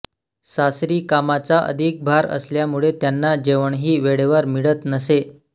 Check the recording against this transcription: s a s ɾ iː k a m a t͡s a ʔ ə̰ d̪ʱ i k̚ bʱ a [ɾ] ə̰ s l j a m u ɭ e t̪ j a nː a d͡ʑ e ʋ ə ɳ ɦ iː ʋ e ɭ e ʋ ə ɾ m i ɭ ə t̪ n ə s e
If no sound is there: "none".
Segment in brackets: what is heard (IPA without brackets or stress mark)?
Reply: ɾ